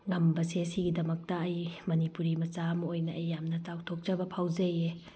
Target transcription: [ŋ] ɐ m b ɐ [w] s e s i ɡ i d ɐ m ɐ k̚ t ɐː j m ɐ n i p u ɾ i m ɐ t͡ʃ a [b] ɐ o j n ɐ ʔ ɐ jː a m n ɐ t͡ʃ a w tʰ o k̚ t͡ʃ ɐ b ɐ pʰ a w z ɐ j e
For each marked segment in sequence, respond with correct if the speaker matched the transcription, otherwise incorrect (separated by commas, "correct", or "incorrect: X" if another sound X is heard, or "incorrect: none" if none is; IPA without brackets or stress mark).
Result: correct, incorrect: none, incorrect: m